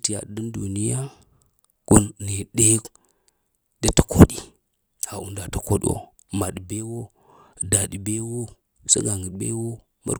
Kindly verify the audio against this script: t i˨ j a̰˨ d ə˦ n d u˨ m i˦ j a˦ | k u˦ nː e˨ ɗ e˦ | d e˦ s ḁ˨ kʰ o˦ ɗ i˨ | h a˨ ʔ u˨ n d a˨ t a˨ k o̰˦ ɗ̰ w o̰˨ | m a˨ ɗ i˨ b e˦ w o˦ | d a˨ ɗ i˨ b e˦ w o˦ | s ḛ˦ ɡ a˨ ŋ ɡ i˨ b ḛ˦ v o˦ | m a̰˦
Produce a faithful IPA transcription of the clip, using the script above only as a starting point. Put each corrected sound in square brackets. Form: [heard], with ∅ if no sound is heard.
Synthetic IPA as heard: t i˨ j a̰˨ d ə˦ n d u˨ [n] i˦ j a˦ | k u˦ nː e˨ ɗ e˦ | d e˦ [t] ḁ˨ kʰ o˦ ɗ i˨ | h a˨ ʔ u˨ n d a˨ t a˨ k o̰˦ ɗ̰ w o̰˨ | m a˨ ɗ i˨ b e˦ w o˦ | d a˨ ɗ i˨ b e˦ w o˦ | s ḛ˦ ɡ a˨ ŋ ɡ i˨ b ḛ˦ [w] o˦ | m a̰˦